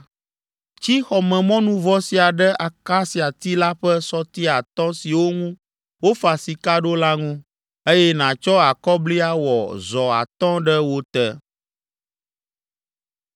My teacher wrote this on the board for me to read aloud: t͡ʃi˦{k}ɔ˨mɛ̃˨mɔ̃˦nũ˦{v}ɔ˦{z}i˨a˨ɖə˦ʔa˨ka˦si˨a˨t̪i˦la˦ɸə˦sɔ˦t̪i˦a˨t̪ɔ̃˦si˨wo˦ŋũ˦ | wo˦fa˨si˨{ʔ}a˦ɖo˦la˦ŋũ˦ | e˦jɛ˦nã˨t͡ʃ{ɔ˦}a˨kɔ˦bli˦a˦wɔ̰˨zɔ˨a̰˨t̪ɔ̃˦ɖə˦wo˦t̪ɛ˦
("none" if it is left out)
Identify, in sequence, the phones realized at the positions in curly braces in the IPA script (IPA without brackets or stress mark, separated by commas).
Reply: x, v, s, k, ɔ˦